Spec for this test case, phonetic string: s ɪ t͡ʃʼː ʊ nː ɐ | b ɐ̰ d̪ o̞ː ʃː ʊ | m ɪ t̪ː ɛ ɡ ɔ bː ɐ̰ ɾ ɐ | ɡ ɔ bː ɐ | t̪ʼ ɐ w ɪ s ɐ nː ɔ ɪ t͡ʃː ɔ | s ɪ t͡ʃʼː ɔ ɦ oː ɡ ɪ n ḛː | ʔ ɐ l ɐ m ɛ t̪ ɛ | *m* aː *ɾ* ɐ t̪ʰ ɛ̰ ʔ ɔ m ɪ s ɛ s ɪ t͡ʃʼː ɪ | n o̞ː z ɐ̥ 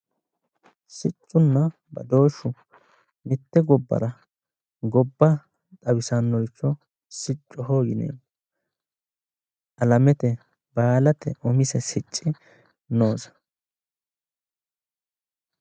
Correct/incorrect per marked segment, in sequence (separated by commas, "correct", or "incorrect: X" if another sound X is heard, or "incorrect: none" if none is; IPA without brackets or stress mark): incorrect: b, incorrect: l